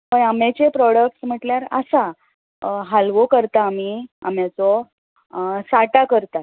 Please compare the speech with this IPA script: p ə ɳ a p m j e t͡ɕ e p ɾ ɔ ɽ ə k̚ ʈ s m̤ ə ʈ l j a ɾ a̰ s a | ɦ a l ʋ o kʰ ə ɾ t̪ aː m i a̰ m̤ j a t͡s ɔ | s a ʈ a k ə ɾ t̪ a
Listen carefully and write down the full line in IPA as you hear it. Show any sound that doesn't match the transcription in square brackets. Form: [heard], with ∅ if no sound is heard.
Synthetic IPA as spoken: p ə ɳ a [∅] m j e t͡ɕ e p ɾ ɔ ɽ ə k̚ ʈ s m̤ ə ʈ l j a ɾ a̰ s a | ɦ a l ʋ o [k] ə ɾ t̪ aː m i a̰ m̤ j a t͡s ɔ | s a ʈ a k ə ɾ t̪ a